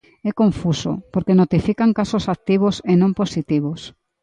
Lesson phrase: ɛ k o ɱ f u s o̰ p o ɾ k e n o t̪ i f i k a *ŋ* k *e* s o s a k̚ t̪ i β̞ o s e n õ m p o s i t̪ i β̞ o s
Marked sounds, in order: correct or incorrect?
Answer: correct, incorrect

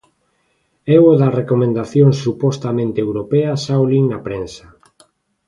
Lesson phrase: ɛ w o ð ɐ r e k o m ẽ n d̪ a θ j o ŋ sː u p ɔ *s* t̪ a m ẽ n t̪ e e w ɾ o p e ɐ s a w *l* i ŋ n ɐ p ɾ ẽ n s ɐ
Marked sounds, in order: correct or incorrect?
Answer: correct, correct

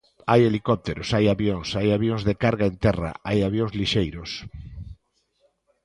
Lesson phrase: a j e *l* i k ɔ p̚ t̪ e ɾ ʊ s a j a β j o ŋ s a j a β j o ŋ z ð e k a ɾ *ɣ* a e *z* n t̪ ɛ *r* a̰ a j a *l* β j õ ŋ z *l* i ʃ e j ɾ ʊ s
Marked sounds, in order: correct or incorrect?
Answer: correct, correct, incorrect, correct, incorrect, correct

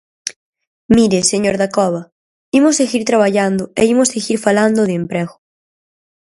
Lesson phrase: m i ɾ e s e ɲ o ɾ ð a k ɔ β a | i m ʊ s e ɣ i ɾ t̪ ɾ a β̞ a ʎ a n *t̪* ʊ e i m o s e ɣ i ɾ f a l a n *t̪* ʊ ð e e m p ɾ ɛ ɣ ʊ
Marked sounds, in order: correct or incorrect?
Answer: incorrect, incorrect

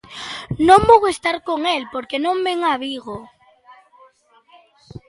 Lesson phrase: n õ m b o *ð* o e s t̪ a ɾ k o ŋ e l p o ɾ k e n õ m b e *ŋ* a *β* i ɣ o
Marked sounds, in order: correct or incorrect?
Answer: incorrect, correct, correct

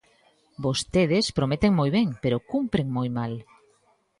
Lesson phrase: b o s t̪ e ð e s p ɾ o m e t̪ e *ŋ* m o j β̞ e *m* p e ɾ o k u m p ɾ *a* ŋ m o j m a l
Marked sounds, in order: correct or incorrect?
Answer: correct, incorrect, incorrect

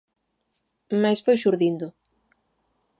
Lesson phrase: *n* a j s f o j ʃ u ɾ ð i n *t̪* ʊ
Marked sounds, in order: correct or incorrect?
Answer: incorrect, incorrect

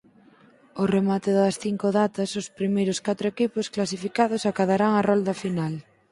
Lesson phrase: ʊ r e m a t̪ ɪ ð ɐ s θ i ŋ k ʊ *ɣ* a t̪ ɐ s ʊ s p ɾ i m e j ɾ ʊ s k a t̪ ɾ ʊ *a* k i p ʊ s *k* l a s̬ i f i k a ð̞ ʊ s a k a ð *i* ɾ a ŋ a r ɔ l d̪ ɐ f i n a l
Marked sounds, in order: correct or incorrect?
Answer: incorrect, incorrect, correct, incorrect

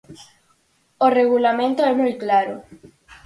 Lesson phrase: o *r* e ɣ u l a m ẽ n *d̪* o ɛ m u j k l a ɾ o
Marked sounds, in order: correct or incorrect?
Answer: correct, incorrect

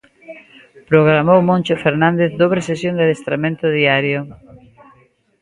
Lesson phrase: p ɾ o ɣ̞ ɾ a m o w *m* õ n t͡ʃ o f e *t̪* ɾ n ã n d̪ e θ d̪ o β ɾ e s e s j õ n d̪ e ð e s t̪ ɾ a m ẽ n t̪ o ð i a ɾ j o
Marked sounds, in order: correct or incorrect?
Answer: correct, incorrect

